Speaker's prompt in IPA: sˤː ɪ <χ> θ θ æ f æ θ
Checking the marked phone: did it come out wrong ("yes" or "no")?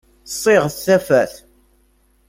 yes